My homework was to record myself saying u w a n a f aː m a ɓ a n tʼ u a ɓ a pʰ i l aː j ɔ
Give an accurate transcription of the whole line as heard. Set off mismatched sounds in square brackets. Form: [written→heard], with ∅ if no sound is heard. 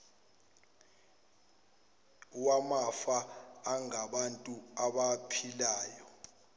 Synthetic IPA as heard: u w a [n→m] a f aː [m→ŋ] a ɓ a n tʼ u a ɓ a pʰ i l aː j ɔ